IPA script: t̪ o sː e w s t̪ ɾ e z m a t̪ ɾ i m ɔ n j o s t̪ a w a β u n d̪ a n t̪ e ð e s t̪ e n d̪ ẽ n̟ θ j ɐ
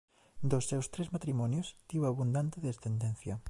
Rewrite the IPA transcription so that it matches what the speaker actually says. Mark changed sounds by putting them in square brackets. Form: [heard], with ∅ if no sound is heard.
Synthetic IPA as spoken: [d̪] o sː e w s t̪ ɾ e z m a t̪ ɾ i m ɔ n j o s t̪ [i] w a β u n d̪ a n t̪ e ð e s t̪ e n d̪ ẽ n̟ θ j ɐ